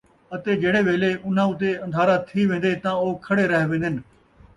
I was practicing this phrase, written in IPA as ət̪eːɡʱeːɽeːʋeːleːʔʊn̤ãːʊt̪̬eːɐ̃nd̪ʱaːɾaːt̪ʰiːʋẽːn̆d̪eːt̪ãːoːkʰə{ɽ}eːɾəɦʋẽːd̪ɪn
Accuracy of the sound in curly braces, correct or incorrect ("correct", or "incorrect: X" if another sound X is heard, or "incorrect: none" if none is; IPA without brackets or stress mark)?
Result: correct